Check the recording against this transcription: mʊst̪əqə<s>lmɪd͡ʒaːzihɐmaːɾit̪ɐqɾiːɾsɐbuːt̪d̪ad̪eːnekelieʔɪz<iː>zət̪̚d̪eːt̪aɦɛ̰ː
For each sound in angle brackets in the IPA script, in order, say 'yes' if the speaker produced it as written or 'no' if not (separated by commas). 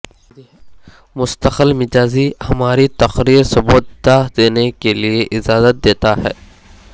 no, no